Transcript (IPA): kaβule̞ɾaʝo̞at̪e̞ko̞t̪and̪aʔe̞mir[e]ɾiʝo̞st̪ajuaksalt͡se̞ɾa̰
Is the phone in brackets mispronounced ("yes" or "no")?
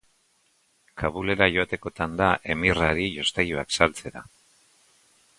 yes